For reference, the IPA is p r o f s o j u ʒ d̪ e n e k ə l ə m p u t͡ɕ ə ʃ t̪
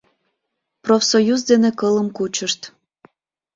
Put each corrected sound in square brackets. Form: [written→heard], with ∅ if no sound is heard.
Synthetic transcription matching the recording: p r o f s o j u [ʒ→z] d̪ e n e k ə l ə m [p→k] u t͡ɕ ə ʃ t̪